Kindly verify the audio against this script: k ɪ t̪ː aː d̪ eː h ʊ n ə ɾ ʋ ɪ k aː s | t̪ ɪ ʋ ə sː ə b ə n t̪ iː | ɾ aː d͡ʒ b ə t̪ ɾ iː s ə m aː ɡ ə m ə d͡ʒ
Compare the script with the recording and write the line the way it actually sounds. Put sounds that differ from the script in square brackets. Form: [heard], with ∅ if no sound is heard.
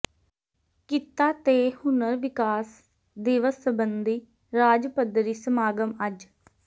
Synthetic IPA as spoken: k ɪ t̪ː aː [t̪] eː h ʊ n ə ɾ ʋ ɪ k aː s | [d̪] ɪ ʋ ə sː ə b ə n [d̪] iː | ɾ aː d͡ʒ [p] ə [d̪] ɾ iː s ə m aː ɡ ə m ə d͡ʒ